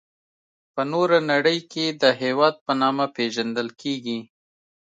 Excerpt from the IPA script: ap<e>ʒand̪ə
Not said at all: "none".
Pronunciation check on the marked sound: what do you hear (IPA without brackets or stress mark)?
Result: e